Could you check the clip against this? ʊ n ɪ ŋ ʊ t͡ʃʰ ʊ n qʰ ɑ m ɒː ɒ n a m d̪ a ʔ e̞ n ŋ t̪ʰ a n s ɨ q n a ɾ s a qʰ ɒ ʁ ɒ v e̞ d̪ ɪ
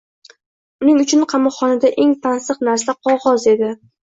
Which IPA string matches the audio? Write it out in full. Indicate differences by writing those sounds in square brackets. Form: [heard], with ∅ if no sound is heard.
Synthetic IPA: ʊ n ɪ ŋ ʊ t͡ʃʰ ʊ n qʰ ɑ m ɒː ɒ n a [∅] d̪ a ʔ e̞ [∅] ŋ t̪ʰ a n s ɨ q n a ɾ s a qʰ ɒ ʁ ɒ [z] e̞ d̪ ɪ